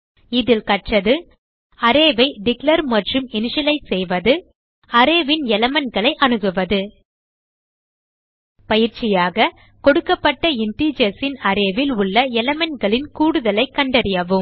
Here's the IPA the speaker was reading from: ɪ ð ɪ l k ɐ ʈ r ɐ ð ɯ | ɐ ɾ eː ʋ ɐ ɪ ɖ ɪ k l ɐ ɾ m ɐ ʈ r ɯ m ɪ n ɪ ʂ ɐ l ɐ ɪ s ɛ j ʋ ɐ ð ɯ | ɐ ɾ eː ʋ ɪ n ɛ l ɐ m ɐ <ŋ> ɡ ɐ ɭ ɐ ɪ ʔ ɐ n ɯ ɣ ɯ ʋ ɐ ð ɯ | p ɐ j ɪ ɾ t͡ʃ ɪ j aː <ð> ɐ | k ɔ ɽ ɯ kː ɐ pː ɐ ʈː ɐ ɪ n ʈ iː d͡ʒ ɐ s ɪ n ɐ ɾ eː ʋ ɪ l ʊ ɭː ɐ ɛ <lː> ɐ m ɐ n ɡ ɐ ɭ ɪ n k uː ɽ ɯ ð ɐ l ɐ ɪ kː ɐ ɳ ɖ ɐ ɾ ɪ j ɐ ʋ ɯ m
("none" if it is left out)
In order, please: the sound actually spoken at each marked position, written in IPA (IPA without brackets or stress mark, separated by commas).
n, ɣ, l